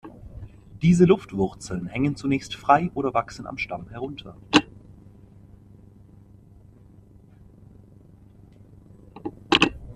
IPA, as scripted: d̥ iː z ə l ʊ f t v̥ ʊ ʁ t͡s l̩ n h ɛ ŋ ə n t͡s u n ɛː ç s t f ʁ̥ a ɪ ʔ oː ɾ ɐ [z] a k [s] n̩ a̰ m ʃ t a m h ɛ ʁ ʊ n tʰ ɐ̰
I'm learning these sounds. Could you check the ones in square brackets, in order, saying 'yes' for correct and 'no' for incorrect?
no, yes

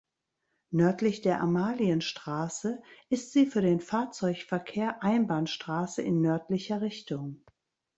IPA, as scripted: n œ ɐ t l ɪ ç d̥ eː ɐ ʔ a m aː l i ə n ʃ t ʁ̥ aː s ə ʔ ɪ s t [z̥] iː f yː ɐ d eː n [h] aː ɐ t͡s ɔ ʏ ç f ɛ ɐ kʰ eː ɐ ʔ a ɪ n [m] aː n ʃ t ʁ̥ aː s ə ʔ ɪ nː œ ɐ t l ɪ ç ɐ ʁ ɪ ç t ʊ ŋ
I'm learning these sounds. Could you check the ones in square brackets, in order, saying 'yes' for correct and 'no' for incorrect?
yes, no, no

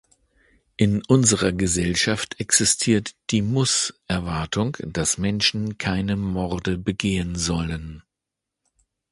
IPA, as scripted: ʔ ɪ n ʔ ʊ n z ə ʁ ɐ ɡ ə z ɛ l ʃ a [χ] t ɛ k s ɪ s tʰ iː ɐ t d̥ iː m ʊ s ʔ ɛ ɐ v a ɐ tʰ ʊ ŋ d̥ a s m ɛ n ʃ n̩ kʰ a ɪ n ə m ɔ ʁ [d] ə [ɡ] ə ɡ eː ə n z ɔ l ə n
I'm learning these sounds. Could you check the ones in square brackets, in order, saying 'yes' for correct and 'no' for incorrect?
no, yes, no

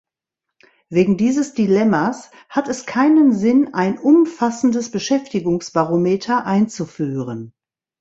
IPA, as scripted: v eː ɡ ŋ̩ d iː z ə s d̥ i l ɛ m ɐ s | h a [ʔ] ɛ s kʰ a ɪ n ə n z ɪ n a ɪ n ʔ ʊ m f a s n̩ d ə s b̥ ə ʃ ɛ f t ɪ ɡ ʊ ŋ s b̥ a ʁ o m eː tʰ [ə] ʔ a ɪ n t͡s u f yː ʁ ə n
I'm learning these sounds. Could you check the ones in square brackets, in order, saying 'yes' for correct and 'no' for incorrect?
no, no

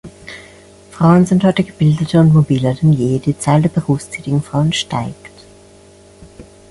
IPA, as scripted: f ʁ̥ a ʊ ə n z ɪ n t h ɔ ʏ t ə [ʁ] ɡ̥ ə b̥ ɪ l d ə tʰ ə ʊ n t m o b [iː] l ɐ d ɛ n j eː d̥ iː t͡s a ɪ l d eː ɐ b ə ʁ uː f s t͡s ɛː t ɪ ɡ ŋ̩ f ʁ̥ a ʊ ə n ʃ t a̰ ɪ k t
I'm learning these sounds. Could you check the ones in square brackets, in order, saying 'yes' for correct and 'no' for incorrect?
no, yes

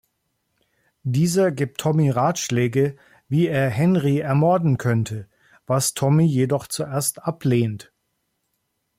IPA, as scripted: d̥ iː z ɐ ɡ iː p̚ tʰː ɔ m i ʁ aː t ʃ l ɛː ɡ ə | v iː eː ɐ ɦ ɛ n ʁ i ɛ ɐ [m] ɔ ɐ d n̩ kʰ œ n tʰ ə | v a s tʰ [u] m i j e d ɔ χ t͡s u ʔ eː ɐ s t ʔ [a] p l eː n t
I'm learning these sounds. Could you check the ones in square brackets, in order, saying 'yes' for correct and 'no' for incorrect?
yes, no, yes

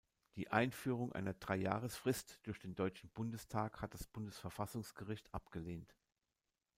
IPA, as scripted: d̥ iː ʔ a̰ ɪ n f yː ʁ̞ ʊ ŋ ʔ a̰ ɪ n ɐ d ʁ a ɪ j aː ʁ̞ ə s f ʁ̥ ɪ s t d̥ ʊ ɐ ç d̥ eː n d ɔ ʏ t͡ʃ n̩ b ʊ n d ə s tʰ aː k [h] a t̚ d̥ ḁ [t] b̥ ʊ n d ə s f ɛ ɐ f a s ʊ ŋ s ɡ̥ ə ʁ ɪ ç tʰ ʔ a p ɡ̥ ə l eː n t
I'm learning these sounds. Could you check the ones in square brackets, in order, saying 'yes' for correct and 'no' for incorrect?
yes, no

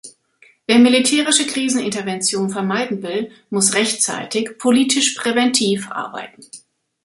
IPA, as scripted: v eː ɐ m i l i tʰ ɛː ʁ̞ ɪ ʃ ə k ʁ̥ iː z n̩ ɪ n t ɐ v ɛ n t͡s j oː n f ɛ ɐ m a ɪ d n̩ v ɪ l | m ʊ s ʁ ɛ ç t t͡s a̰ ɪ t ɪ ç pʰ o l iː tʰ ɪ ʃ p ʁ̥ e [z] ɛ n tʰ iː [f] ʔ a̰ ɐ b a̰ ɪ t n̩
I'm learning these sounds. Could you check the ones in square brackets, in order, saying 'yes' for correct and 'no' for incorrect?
no, yes

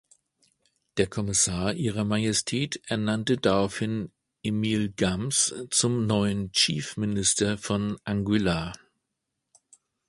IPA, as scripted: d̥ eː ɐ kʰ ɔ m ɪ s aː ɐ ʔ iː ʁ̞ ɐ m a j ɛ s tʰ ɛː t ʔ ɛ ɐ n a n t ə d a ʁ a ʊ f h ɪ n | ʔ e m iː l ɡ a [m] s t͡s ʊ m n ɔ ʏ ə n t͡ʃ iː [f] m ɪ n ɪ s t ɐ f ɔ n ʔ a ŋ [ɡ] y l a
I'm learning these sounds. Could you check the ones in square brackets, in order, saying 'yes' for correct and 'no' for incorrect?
yes, yes, yes

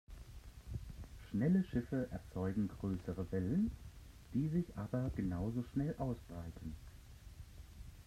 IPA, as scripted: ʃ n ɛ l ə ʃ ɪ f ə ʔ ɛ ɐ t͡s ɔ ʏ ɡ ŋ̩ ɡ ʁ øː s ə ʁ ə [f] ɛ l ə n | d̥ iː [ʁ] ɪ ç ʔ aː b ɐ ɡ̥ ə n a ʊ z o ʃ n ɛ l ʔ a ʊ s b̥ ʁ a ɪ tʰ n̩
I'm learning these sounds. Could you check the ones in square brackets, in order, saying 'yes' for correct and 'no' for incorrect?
no, no

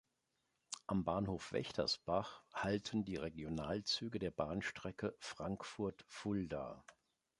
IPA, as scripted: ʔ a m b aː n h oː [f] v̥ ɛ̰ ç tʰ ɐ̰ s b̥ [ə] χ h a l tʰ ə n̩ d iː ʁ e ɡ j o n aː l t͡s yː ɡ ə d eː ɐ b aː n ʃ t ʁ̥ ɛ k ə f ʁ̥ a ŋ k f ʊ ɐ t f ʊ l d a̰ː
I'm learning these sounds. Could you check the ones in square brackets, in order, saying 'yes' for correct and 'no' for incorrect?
yes, no

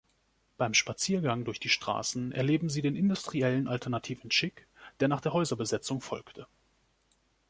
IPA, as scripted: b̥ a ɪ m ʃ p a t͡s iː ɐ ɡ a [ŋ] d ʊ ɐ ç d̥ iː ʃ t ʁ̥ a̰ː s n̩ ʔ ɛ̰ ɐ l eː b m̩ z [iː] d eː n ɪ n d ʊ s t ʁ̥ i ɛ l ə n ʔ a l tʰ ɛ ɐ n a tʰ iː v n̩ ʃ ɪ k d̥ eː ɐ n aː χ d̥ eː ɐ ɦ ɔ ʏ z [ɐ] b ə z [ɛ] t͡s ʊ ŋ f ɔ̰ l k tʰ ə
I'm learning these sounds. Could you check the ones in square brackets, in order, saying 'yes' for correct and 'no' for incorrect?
yes, yes, yes, yes

